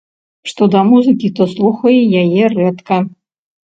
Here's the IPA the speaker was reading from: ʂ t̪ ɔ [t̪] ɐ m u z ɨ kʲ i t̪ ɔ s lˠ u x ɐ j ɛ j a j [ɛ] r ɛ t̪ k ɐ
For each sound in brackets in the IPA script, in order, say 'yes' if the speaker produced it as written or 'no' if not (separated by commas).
no, yes